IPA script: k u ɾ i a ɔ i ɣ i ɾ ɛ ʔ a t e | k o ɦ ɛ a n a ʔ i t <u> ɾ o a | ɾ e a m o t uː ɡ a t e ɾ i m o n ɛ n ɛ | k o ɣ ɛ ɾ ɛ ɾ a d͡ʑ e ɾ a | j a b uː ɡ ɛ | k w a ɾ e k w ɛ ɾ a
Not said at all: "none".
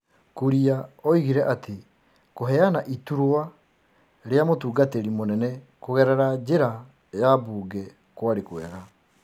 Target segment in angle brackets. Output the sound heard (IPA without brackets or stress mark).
u